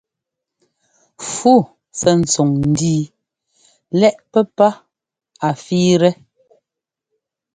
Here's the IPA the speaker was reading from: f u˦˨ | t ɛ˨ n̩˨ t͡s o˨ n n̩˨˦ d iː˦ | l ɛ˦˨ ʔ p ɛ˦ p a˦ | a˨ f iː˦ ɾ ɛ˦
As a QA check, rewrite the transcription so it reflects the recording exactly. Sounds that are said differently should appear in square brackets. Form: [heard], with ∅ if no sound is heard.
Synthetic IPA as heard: f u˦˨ | [s] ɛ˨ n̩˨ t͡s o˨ [ŋ] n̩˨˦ d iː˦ | l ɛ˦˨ ʔ p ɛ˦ p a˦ | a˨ f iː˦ ɾ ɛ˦